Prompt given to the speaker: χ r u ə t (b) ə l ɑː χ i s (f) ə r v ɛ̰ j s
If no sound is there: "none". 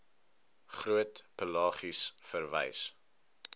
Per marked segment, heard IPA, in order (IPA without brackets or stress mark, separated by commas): p, f